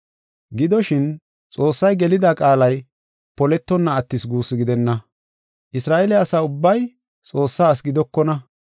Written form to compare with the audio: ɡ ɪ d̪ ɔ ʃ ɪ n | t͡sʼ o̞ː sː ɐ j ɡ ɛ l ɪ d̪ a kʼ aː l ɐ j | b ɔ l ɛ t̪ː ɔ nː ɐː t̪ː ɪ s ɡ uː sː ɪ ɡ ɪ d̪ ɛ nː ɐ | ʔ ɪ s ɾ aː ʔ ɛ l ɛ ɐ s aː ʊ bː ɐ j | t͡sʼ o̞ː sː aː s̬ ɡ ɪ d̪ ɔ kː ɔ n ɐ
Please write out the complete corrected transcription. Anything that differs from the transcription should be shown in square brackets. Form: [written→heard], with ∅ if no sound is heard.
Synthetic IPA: ɡ ɪ d̪ ɔ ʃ ɪ n | t͡sʼ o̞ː sː ɐ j ɡ ɛ l ɪ d̪ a kʼ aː l ɐ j | [b→p] ɔ l ɛ t̪ː ɔ nː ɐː t̪ː ɪ s ɡ uː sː ɪ ɡ ɪ d̪ ɛ nː ɐ | ʔ ɪ s ɾ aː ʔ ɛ l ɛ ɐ s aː ʊ bː ɐ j | t͡sʼ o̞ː sː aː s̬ ɡ ɪ d̪ ɔ kː ɔ n ɐ